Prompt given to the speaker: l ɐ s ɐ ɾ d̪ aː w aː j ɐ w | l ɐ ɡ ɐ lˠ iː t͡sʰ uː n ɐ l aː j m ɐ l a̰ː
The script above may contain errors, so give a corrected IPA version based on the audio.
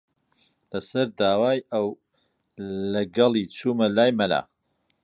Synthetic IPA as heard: l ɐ s ɐ ɾ d̪ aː w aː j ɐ w | l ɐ ɡ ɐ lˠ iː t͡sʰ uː m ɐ l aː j m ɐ l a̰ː